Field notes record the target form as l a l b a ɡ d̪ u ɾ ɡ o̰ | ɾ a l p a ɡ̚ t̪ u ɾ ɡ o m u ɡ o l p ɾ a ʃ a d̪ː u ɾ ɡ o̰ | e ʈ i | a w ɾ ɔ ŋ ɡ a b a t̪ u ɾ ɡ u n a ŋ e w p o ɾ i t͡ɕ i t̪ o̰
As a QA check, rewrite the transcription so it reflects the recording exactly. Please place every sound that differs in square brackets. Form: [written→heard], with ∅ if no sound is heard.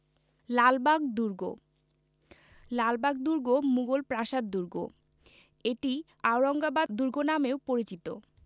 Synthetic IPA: l a l b a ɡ d̪ u ɾ ɡ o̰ | [ɾ→l] a l [p→b] a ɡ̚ [t̪→d̪] u ɾ ɡ o m u ɡ o l p ɾ a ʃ a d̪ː u ɾ ɡ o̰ | e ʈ i | a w ɾ ɔ ŋ ɡ a b a [t̪→d̪] u ɾ ɡ [u→o] n a [ŋ→m] e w p o ɾ i t͡ɕ i t̪ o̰

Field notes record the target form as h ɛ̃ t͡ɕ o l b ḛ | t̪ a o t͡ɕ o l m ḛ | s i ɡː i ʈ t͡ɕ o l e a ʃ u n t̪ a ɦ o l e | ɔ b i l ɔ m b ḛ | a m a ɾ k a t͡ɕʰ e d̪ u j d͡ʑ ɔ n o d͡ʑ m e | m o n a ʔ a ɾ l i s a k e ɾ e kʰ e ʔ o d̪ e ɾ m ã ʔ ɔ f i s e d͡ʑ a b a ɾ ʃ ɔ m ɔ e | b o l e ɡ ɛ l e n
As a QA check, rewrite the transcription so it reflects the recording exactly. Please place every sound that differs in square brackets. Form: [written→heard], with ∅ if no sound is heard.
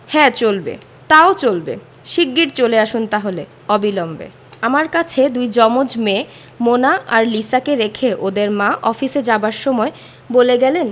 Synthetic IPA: h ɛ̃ t͡ɕ o l b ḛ | t̪ a o t͡ɕ o l [m→b] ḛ | [s→ʃ] i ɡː i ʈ t͡ɕ o l e a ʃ u n t̪ a ɦ o l e | ɔ b i l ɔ m b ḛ | a m a ɾ k a t͡ɕʰ e d̪ u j d͡ʑ ɔ [n→m] o d͡ʑ m e | m o n a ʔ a ɾ l i s a k e ɾ e kʰ e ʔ o d̪ e ɾ m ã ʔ ɔ f i s e d͡ʑ a b a ɾ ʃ ɔ m ɔ e | b o l e ɡ ɛ l e n

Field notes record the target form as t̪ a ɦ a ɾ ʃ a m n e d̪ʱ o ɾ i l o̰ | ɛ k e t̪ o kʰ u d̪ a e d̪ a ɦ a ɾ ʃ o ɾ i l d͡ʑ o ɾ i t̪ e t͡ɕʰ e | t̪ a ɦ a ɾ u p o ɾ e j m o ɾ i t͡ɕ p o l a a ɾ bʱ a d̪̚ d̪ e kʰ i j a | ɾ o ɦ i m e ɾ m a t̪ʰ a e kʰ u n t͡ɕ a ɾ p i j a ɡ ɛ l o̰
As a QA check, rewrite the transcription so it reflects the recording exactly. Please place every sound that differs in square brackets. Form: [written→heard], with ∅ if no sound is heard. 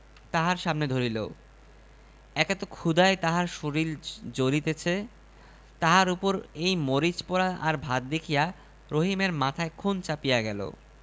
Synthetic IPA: t̪ a ɦ a ɾ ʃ a m n e d̪ʱ o ɾ i l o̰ | ɛ k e t̪ o kʰ u d̪ a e [d̪→t̪] a ɦ a ɾ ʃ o ɾ i l d͡ʑ o ɾ i t̪ e t͡ɕʰ e | t̪ a ɦ a ɾ u p o ɾ e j m o ɾ i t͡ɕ p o [l→ɾ] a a ɾ bʱ a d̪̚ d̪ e kʰ i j a | ɾ o ɦ i m e ɾ m a t̪ʰ a e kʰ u n t͡ɕ a [ɾ→∅] p i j a ɡ ɛ l o̰

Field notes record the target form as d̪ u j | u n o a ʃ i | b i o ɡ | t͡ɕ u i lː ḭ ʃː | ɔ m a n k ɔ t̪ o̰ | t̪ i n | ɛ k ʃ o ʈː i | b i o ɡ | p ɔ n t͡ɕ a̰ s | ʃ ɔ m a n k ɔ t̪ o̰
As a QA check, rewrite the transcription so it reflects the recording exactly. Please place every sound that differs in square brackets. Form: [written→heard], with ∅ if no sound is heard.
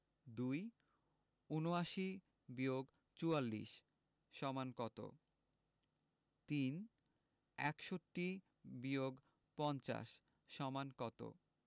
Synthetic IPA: d̪ u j | u n o a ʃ i | b i o ɡ | t͡ɕ u [i→a] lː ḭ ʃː | ɔ m a n k ɔ t̪ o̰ | t̪ i n | ɛ k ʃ o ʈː i | b i o ɡ | p ɔ n t͡ɕ a̰ [s→ʃ] | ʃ ɔ m a n k ɔ t̪ o̰

